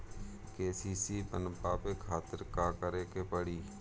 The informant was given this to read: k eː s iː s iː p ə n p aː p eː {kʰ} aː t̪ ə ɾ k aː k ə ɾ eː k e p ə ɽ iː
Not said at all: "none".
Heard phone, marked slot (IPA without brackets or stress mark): kʰ